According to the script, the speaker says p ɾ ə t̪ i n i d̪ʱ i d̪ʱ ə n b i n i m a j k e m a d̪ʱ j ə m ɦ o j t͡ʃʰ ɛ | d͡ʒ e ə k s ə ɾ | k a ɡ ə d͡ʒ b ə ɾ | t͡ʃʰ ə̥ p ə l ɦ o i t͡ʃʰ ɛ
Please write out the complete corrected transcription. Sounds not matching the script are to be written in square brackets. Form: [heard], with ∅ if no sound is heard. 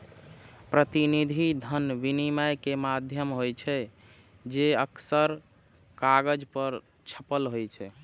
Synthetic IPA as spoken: p ɾ ə t̪ i n i d̪ʱ i d̪ʱ ə n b i n i m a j k e m a d̪ʱ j ə m ɦ o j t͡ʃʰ ɛ | d͡ʒ e ə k s ə ɾ | k a ɡ ə d͡ʒ [p] ə ɾ | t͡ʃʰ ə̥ p ə l ɦ o [j] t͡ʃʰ ɛ

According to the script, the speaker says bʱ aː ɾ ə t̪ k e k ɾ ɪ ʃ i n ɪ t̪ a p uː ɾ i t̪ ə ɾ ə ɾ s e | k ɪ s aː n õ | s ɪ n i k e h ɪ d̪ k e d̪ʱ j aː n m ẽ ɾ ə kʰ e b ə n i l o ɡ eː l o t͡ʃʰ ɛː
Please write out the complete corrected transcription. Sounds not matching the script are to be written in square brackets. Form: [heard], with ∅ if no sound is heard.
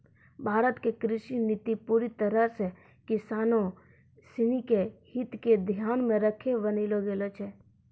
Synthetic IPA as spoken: bʱ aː ɾ ə t̪ k e k ɾ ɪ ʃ i n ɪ t̪ [i] p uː ɾ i t̪ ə ɾ ə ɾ s e | k ɪ s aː n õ | s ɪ n i k e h ɪ [t̪] k e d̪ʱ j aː n m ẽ ɾ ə kʰ e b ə n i l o ɡ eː l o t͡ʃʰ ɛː

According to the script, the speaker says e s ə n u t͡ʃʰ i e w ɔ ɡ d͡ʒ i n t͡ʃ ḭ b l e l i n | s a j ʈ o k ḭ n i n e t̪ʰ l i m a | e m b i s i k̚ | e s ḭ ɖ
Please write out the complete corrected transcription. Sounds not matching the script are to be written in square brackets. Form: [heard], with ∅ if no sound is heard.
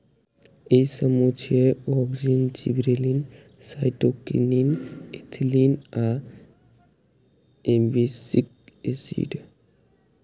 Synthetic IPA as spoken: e s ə [m] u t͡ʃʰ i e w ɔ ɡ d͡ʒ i n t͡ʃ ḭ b [ɾ] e l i n | s a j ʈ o k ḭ n i n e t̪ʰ l i [n] a | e m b i s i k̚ | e s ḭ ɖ

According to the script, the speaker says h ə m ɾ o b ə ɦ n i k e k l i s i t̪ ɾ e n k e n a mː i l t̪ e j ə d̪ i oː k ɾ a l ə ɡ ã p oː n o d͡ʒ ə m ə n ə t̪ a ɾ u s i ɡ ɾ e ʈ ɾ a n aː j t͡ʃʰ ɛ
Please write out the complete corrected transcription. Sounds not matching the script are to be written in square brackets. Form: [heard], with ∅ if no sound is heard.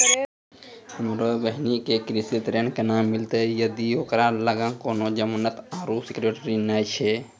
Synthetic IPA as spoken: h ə m ɾ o b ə ɦ n i k e k [ɾ] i s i t̪ ɾ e n k e n a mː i l t̪ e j ə d̪ i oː k ɾ a l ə ɡ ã [k] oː n o d͡ʒ ə m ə n ə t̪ a ɾ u s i [k] ɾ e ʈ ɾ [i] n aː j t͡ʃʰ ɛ

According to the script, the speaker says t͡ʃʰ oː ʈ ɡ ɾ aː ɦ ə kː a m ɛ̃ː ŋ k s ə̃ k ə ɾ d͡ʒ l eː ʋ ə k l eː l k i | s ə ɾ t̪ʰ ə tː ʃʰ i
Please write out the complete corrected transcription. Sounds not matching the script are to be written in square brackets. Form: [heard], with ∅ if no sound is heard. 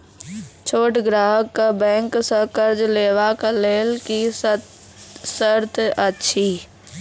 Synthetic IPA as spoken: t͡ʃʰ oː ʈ ɡ ɾ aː ɦ ə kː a [b] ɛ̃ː ŋ k s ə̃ k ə ɾ d͡ʒ l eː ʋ [a] k l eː l k i | s ə ɾ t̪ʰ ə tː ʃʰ i

